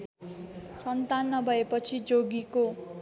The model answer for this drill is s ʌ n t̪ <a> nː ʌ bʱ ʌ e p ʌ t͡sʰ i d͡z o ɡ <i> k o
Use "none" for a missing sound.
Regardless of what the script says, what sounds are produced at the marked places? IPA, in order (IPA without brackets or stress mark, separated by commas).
a, i